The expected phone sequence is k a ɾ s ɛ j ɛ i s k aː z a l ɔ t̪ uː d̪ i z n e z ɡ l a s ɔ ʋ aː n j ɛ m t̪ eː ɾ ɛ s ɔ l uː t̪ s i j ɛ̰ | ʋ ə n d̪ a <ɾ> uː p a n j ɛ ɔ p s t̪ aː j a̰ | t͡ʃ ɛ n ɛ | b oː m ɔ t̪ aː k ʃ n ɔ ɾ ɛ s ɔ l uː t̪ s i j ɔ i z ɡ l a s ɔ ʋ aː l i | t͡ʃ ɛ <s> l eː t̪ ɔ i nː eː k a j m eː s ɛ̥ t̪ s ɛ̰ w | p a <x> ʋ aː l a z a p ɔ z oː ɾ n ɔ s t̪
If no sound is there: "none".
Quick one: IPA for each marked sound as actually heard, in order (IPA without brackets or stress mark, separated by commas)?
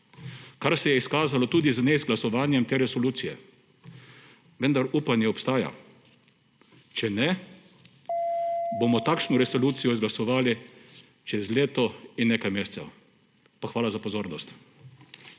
ɾ, z, x